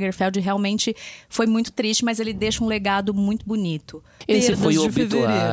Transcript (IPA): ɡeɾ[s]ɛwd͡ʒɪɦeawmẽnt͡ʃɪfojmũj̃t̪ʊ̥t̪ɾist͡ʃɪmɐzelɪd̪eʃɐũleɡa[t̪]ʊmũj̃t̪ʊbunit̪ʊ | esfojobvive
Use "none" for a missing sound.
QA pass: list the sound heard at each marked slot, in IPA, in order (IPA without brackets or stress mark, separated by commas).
f, d̪